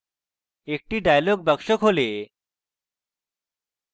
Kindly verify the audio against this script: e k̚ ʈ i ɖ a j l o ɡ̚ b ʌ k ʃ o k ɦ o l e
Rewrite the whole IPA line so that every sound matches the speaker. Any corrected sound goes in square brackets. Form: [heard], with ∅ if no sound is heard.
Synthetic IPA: e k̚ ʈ i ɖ a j l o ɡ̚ b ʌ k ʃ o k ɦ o l e

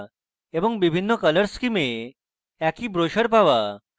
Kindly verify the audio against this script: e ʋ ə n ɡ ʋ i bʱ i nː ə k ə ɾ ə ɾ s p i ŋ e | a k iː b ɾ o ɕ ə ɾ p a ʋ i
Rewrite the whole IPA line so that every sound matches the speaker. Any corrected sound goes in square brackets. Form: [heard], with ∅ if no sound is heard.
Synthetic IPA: e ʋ ə [ŋ] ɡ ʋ i bʱ i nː ə k ə [l] ə ɾ s [k] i [m] e | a k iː b ɾ o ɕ ə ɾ p a ʋ [a]

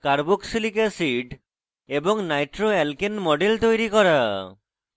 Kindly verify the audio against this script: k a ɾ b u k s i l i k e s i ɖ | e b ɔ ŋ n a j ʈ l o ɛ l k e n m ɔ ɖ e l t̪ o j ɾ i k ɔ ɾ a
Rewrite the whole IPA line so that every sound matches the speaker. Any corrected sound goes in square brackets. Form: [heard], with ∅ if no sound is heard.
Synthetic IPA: k a ɾ b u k s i l i k e s i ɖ | e b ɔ ŋ n a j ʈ [ɾ] o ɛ l k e n m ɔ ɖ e l t̪ o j ɾ i k ɔ ɾ a

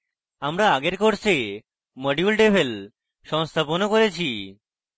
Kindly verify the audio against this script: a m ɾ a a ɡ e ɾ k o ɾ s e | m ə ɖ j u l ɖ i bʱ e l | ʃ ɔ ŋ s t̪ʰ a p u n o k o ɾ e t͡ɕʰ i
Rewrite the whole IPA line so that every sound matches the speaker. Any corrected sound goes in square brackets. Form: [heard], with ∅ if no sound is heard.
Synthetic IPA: a m ɾ a a ɡ e ɾ k o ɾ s e | m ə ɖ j u l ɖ [e] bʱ e l | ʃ ɔ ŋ s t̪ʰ a p [o] n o k o ɾ e t͡ɕʰ i

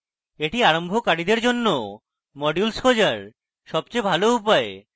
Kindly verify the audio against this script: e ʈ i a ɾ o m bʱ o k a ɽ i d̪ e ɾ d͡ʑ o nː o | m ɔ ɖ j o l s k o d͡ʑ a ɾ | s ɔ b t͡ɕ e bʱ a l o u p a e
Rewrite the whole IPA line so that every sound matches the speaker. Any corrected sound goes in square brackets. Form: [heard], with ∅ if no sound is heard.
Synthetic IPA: e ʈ i a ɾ o m bʱ o k a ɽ i d̪ e ɾ d͡ʑ o nː o | m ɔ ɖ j [u] l s k o d͡ʑ a ɾ | [ʃ] ɔ b t͡ɕ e bʱ a l o u p a e

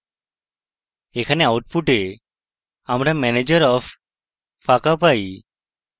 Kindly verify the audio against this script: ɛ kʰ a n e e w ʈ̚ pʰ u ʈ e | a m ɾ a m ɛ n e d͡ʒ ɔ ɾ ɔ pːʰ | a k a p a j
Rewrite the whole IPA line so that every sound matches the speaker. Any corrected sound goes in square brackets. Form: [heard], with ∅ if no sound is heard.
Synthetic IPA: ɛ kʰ a n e [a] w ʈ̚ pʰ u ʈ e | a m ɾ a m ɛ n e d͡ʒ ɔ ɾ ɔ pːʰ | a k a p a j

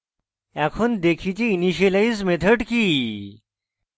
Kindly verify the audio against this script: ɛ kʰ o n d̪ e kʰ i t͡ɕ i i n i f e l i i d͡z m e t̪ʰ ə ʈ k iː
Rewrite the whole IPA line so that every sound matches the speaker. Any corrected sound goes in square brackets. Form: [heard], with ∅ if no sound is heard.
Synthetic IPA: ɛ kʰ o n d̪ e kʰ i t͡ɕ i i n i [ɕ] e l [a] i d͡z m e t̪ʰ ə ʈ k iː

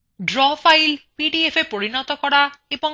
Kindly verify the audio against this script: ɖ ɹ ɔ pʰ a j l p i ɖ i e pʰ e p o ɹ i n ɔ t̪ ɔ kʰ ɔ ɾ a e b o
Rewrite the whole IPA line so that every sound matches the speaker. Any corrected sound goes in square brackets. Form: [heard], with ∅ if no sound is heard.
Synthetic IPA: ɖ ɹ ɔ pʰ a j l p i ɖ i e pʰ e p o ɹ i n ɔ t̪ ɔ [k] ɔ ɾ a e b [ɔ]

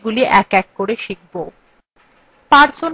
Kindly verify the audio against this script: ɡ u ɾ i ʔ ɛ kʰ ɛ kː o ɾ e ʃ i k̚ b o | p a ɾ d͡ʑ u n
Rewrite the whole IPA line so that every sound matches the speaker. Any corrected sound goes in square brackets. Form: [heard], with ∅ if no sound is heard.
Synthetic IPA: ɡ u [l] i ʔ ɛ [k] ɛ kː o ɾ e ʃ i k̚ b o | p a ɾ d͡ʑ [o] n

